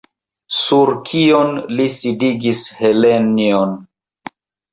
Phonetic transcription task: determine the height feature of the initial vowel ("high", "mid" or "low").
high